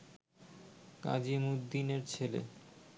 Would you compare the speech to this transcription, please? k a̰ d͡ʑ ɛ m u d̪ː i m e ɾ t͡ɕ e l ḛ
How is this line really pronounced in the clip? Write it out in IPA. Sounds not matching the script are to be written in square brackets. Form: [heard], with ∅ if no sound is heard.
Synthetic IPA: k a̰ d͡ʑ [i] m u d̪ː i [n] e ɾ [t͡ɕʰ] e l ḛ